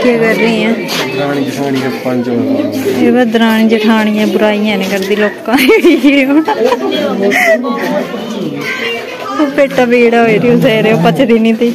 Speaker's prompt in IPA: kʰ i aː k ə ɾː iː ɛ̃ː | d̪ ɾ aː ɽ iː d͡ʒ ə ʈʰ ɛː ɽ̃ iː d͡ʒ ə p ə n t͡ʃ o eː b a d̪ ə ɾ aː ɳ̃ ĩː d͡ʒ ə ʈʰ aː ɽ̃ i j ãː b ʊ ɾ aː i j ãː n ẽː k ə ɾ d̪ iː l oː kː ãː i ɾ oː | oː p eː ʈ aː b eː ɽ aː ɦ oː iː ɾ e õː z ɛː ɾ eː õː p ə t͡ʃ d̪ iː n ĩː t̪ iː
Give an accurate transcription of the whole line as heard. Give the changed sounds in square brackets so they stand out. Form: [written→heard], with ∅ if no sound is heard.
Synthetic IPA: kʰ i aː k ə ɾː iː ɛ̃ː | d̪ ɾ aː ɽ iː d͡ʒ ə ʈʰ [ɛː→aː] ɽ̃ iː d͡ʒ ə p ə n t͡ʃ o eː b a d̪ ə ɾ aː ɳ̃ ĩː d͡ʒ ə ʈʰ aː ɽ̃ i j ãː b ʊ ɾ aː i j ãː n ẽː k ə ɾ d̪ iː l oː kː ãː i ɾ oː | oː p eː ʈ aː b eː ɽ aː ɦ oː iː ɾ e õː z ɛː ɾ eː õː p ə t͡ʃ d̪ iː n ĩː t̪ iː